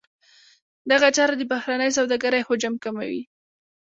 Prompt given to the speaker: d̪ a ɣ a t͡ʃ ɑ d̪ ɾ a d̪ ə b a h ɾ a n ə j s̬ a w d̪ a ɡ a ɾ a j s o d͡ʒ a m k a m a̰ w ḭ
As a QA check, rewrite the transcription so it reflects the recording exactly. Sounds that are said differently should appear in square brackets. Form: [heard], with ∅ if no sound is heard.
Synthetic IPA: d̪ a ɣ a t͡ʃ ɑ [∅] ɾ a d̪ ə b a h ɾ a n ə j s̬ a w d̪ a ɡ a ɾ a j [h] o d͡ʒ a m k a m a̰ w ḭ